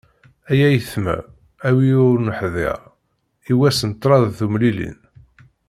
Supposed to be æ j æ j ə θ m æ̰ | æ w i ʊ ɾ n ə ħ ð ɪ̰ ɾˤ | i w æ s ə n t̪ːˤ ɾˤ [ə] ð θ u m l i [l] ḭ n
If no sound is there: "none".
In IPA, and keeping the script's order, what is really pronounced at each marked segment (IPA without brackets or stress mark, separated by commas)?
ɑ, l